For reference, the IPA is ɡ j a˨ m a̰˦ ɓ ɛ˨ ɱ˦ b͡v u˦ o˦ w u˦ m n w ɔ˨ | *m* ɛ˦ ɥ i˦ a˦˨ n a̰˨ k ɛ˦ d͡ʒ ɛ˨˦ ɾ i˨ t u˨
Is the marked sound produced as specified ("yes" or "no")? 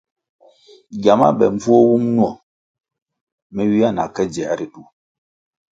yes